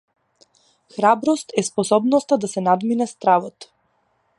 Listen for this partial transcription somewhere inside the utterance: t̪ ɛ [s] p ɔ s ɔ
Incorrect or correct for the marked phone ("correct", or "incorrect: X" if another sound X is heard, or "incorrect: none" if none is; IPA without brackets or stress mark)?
correct